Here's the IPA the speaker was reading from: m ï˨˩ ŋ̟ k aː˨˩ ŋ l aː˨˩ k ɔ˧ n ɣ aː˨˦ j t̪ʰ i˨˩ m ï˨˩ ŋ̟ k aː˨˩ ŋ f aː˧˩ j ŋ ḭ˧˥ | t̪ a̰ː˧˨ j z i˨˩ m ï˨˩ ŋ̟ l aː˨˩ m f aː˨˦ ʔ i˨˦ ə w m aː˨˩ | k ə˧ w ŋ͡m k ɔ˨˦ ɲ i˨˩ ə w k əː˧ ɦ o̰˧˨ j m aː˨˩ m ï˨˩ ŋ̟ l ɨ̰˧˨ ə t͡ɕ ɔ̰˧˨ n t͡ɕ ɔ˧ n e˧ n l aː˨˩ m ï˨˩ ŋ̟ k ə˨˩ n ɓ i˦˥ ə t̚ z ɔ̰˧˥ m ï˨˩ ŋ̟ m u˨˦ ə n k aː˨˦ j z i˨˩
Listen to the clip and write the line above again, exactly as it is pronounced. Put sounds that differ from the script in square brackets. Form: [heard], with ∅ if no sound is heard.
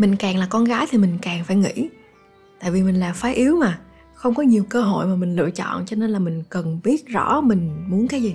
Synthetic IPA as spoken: m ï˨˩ ŋ̟ k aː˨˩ ŋ l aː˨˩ k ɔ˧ n ɣ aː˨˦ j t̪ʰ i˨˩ m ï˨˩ ŋ̟ k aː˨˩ ŋ f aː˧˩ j ŋ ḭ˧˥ | t̪ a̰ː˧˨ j [v] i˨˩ m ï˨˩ ŋ̟ l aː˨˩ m f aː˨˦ ʔ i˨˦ ə w m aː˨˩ | [x] ə˧ w ŋ͡m k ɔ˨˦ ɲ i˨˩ ə w k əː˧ ɦ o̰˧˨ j m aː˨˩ m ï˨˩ ŋ̟ l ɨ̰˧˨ ə t͡ɕ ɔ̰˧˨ n t͡ɕ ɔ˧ n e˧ n l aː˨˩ m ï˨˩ ŋ̟ k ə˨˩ n ɓ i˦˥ ə t̚ z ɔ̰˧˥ m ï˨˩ ŋ̟ m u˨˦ ə n k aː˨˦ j z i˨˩